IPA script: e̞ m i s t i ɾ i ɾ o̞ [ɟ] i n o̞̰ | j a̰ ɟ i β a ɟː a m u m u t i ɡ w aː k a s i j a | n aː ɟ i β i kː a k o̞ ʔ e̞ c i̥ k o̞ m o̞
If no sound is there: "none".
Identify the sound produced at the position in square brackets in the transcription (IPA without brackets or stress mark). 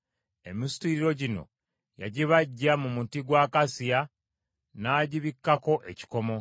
ɟ